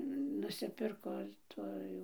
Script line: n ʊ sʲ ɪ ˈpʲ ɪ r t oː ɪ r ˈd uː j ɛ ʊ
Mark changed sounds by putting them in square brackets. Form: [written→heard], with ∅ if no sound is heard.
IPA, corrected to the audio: n ʊ sʲ ɪ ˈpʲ ɪ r [t→k] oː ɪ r [ˈd→ˈt] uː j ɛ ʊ